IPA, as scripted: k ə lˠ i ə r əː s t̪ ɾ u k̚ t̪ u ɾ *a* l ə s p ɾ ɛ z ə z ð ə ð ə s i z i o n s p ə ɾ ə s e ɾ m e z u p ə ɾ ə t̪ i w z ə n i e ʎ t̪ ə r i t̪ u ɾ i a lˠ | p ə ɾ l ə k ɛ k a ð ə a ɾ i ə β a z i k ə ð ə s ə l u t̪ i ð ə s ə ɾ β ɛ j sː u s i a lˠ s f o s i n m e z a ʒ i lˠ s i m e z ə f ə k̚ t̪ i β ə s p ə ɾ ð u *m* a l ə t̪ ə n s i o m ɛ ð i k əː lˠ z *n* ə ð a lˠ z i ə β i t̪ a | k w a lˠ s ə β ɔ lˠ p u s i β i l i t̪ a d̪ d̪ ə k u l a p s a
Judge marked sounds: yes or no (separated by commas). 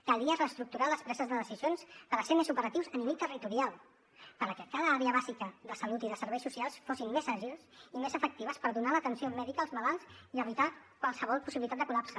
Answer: yes, no, no